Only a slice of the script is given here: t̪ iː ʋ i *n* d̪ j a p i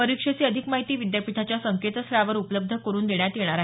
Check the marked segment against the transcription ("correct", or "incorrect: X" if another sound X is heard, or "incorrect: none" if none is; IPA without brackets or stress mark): incorrect: none